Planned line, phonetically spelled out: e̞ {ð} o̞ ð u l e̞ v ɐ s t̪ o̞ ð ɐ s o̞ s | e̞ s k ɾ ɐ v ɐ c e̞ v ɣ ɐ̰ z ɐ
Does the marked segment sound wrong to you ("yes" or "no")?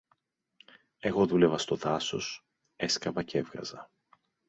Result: yes